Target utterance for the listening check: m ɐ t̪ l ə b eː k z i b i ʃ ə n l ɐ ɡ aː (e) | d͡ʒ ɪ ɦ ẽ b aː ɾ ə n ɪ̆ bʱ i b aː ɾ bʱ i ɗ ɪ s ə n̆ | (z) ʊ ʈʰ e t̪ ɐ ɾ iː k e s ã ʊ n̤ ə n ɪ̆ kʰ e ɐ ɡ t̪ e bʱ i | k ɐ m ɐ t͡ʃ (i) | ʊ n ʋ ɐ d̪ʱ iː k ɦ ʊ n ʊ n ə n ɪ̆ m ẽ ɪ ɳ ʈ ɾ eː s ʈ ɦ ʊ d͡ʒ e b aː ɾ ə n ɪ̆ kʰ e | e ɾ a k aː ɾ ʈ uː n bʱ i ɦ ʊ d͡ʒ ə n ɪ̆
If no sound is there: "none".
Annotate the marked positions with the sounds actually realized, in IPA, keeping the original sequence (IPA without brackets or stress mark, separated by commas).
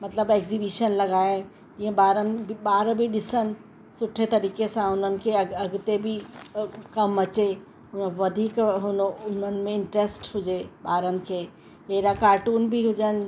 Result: e, s, e